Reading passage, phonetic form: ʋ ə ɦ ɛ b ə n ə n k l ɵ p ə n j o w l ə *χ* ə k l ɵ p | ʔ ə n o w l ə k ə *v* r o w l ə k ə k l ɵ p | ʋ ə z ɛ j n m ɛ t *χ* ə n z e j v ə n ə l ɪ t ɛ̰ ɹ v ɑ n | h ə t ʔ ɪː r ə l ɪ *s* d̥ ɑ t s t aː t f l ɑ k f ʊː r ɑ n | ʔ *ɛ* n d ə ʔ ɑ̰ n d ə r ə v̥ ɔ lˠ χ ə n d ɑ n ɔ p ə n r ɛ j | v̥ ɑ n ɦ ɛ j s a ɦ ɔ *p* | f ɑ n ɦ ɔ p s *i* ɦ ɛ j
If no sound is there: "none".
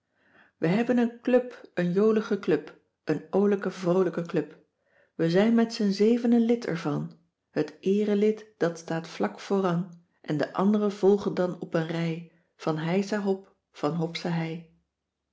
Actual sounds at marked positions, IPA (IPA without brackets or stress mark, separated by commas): χ, v, s, t, ɛ, p, a